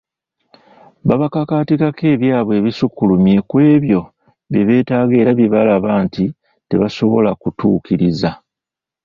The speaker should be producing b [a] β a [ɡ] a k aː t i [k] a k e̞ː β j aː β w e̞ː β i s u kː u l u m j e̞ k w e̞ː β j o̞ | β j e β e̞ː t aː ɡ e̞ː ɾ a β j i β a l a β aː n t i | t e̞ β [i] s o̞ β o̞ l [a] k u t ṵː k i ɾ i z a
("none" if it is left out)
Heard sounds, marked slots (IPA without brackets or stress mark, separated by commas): a, k, k, a, a